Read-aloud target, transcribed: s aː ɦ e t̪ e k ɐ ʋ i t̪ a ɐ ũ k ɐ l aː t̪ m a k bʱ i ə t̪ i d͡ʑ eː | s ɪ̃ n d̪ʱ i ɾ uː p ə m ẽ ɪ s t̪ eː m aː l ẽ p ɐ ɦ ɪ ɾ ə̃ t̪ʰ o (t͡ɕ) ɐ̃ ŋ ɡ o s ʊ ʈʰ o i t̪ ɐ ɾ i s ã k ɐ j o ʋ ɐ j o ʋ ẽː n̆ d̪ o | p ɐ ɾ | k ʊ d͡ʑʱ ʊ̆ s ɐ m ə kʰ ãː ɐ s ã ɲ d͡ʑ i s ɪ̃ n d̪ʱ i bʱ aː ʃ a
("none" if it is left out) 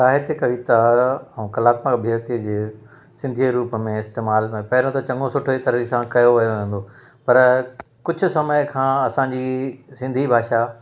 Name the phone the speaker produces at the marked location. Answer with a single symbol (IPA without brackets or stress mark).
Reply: t͡ɕ